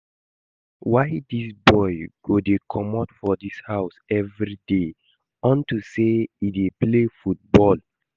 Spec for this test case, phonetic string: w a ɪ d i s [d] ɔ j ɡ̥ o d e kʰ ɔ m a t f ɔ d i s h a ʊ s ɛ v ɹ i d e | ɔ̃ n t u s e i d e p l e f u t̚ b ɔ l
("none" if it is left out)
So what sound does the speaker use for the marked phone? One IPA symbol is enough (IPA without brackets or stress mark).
b